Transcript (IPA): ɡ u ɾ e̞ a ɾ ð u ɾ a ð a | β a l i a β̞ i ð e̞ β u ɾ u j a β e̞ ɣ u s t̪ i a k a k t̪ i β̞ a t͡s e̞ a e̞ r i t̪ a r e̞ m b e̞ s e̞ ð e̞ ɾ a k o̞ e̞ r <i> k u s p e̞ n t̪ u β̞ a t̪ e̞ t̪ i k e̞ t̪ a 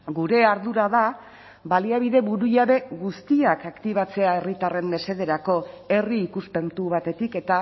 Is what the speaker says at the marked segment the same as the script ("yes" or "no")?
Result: no